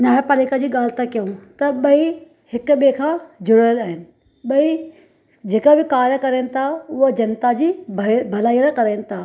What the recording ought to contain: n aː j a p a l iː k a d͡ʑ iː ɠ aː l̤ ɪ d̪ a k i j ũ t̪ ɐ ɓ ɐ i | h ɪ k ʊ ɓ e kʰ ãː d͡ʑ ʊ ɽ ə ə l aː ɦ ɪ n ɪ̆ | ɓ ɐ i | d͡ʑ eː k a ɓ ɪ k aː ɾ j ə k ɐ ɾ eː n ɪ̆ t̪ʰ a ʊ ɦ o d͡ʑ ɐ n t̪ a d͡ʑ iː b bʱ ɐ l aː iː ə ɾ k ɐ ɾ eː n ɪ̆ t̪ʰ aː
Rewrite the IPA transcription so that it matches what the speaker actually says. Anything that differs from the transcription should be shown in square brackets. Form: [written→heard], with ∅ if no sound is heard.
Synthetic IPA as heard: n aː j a p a l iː k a d͡ʑ iː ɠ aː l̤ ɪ [d̪→t̪] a k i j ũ t̪ ɐ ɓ ɐ i | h ɪ k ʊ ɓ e kʰ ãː d͡ʑ ʊ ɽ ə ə l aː ɦ ɪ n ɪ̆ | ɓ ɐ i | d͡ʑ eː k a [ɓ→b] ɪ k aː ɾ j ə k ɐ ɾ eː n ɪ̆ t̪ʰ a ʊ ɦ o d͡ʑ ɐ n t̪ a d͡ʑ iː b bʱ ɐ l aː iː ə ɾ k ɐ ɾ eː n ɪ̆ t̪ʰ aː

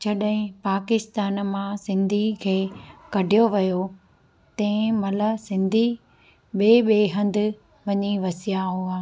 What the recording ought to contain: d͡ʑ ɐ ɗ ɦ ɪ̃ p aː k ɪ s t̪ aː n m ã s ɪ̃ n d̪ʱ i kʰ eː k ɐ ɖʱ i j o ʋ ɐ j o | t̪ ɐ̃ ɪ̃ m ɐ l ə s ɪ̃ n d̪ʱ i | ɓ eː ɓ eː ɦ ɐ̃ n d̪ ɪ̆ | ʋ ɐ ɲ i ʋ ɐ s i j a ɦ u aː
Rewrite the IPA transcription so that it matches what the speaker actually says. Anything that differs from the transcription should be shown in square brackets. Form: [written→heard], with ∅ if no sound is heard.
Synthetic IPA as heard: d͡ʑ ɐ ɗ ɦ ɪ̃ p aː k ɪ s t̪ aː n m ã s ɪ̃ n d̪ʱ i kʰ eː k ɐ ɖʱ i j o ʋ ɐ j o | t̪ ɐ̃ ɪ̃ m ɐ l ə s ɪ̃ n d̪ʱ i | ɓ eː ɓ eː ɦ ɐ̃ n d̪ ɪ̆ | ʋ ɐ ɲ i ʋ ɐ s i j a ɦ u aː

